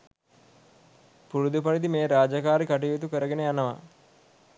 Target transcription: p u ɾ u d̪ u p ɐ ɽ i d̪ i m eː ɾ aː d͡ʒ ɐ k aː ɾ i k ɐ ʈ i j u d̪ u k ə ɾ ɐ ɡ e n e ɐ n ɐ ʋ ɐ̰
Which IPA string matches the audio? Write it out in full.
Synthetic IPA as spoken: p u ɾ u d̪ u p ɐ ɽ i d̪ i m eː ɾ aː d͡ʒ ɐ k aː ɾ i k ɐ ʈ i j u t̪ u k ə ɾ ɐ ɡ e n e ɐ n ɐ ʋ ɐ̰